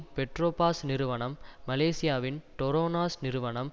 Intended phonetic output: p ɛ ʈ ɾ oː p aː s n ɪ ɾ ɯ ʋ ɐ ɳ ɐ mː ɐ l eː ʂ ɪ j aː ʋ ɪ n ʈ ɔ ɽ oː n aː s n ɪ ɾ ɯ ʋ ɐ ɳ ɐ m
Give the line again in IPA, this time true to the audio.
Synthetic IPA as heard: p ɛ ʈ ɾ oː p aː s n ɪ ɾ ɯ ʋ ɐ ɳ ɐ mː ɐ l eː s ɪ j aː ʋ ɪ n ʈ ɔ ɾ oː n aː s n ɪ ɾ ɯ ʋ ɐ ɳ ɐ m

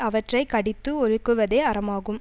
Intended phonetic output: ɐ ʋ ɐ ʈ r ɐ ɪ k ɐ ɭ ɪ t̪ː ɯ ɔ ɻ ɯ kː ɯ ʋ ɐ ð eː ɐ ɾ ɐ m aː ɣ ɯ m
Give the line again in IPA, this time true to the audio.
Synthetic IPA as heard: ɐ ʋ ɐ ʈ r ɐ ɪ k ɐ ɽ ɪ t̪ː ɯ ɔ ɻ ɯ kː ɯ ʋ ɐ ð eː ɐ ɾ ɐ m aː ɣ ɯ m

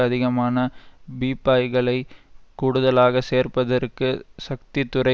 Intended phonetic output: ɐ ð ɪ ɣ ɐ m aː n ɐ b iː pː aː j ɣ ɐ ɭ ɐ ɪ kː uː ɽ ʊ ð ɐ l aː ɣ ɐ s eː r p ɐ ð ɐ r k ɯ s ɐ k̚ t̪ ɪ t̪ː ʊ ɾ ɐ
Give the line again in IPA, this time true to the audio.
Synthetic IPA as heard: ɐ ð ɪ ɣ ɐ m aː n ɐ b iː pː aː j ɣ ɐ ɭ ɐ ɪ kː uː ɽ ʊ ð ɐ l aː ɣ ɐ s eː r p ɐ ð ɐ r k ɯ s ɐ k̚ t̪ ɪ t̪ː ʊ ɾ ɐ

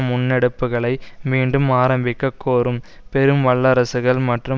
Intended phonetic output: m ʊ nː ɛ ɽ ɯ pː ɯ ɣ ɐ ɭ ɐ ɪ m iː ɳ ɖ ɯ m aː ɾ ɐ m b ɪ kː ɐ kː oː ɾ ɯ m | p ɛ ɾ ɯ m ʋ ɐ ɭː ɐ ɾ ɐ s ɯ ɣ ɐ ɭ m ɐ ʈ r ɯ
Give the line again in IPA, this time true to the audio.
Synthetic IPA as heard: m ʊ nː ɛ ɽ ɯ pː ɯ ɣ ɐ ɭ ɐ ɪ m iː ɳ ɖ ɯ m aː ɾ ɐ m b ɪ kː ɐ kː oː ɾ ɯ m | p ɛ ɾ ɯ m ʋ ɐ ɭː ɐ ɾ ɐ s ɯ ɣ ɐ ɭ m ɐ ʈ r ɯ

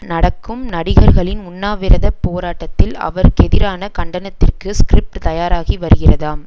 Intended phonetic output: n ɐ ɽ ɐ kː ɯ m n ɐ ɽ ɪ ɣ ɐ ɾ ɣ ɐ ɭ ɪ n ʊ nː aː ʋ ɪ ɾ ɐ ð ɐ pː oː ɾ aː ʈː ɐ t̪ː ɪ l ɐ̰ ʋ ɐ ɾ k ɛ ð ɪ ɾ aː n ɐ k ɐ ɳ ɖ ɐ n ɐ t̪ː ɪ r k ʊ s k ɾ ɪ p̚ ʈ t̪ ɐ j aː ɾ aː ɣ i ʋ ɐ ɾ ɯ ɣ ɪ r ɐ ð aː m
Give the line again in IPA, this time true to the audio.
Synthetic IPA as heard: n ɐ ɽ ɐ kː ɯ m n ɐ ɽ ɪ ɣ ɐ ɾ ɣ ɐ ɭ ɪ n ʊ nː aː ʋ ɪ ɾ ɐ ð ɐ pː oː ɾ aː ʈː ɐ t̪ː ɪ l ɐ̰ ʋ ɐ ɾ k ɛ ð ɪ ɾ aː n ɐ k ɐ ɳ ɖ ɐ n ɐ t̪ː ɪ r k ɯ s k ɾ ɪ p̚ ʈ t̪ ɐ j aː ɾ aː ɣ i ʋ ɐ ɾ ɯ ɣ ɪ r ɐ ð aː m

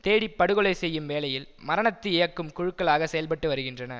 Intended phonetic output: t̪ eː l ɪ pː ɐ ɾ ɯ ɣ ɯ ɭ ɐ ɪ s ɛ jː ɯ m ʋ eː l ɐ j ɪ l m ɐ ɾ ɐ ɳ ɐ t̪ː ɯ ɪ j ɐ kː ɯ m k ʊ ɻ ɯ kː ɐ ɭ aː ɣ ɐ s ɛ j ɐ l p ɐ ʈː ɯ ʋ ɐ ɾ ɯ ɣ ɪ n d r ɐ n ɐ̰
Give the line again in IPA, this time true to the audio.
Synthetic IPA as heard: t̪ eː ɽ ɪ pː ɐ ɽ ɯ ɣ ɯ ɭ ɐ ɪ s ɛ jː ɯ m ʋ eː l ɐ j ɪ l m ɐ ɾ ɐ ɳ ɐ t̪ː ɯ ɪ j ɐ kː ɯ m k ʊ ɻ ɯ kː ɐ ɭ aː ɣ ɐ s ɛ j ɐ l p ɐ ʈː ɯ ʋ ɐ ɾ ɯ ɣ ɪ n d r ɐ n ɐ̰

